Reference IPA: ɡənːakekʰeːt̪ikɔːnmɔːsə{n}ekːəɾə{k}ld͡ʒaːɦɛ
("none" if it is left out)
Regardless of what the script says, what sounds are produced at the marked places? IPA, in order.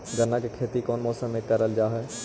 m, none

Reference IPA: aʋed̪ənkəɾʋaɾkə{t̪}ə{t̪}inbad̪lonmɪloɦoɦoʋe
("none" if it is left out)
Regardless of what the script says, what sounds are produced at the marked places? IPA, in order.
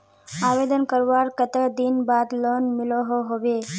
t̪, d̪

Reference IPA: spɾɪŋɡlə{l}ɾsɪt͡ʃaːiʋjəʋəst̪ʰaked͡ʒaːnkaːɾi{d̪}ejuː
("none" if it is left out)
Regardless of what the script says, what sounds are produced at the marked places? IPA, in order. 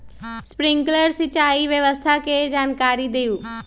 none, d̪

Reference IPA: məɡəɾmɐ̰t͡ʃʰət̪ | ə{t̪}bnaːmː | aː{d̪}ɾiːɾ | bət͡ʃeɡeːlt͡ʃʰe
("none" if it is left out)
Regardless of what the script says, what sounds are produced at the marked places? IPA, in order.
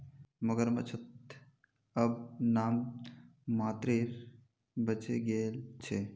none, t̪

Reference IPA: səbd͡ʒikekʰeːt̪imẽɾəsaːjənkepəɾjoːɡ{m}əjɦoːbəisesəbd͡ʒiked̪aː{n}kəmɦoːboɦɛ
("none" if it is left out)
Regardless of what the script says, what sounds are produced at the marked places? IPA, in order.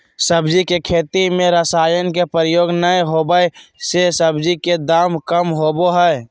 n, m

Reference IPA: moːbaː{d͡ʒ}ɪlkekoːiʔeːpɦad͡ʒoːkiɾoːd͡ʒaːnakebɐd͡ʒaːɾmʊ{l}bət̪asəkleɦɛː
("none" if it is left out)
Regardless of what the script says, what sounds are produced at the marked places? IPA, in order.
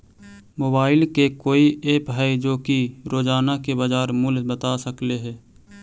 none, l

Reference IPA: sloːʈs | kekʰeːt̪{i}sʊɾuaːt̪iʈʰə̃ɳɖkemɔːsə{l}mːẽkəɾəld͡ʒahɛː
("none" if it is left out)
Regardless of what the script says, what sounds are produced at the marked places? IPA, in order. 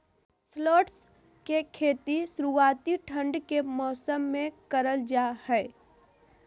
i, none

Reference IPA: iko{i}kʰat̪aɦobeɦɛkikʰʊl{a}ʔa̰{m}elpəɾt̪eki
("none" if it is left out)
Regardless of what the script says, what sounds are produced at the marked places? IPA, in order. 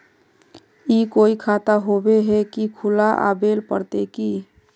i, a, b

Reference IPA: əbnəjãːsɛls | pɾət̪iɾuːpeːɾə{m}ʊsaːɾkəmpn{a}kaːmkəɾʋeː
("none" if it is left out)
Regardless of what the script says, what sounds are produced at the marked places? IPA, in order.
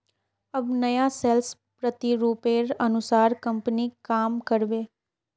n, i

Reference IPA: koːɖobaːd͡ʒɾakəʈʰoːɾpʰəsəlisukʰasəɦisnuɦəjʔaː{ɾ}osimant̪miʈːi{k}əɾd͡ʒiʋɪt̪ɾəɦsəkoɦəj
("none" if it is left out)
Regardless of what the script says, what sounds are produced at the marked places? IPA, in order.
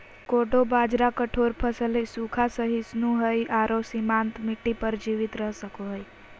ɾ, p

